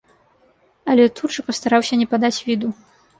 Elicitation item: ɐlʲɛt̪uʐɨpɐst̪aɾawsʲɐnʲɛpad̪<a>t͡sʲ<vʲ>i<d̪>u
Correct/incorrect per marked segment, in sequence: correct, correct, correct

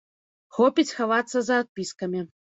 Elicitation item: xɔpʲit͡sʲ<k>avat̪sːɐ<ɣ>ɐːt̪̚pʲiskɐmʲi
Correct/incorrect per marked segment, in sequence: incorrect: x, incorrect: z

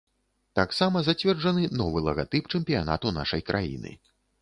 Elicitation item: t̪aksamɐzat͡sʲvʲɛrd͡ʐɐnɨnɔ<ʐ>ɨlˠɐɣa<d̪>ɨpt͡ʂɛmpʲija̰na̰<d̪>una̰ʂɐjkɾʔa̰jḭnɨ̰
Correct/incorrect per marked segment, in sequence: incorrect: v, incorrect: t̪, incorrect: t̪

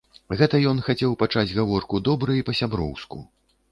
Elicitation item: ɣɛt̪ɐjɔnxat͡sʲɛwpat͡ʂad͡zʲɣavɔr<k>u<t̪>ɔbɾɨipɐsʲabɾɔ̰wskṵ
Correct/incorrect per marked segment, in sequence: correct, incorrect: d̪

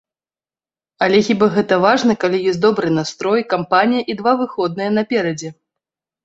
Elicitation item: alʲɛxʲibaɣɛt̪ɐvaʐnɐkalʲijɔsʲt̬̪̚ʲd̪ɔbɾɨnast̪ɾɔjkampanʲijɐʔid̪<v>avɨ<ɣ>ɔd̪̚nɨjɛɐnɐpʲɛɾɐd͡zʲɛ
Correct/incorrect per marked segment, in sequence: correct, incorrect: x

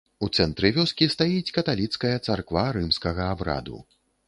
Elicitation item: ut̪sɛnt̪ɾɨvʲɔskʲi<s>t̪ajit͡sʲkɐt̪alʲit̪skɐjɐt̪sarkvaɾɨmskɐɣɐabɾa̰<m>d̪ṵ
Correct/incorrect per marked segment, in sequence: correct, incorrect: none

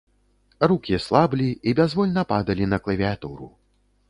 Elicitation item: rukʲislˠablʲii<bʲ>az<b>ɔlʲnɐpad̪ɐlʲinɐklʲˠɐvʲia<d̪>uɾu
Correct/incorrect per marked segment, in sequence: correct, incorrect: v, incorrect: t̪

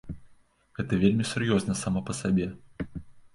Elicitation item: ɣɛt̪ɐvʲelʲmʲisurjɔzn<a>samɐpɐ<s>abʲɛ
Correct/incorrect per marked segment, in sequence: incorrect: ɐ, correct

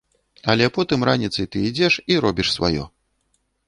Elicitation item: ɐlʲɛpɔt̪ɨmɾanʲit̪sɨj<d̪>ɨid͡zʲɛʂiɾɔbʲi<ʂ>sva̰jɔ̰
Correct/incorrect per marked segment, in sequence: incorrect: t̪, correct

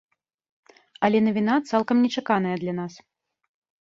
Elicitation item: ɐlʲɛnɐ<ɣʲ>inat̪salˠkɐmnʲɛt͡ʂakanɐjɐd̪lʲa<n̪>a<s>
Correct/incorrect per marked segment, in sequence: incorrect: vʲ, correct, correct

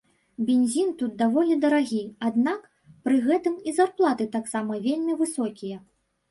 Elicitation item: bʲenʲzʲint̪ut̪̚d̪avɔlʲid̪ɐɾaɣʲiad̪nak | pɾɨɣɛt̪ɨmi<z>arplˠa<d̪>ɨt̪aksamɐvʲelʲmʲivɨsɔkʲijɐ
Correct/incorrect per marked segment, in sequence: correct, incorrect: t̪

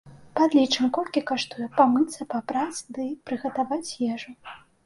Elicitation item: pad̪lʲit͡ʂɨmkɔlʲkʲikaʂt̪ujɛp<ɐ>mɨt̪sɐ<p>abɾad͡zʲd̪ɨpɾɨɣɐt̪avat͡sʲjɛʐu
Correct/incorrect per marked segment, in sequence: incorrect: a, correct

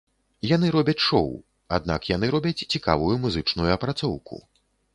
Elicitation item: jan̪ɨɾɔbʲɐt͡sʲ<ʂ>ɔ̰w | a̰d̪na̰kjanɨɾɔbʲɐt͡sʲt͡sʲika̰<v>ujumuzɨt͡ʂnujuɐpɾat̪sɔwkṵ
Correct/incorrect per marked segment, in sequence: correct, correct

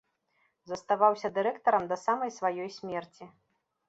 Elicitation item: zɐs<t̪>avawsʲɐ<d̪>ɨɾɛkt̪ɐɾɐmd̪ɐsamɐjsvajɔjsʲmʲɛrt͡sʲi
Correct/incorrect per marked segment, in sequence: correct, correct

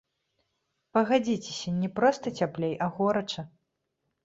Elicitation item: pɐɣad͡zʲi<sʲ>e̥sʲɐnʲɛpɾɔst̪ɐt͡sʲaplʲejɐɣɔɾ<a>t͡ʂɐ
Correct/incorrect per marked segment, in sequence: incorrect: t͡sʲ, incorrect: ɐ

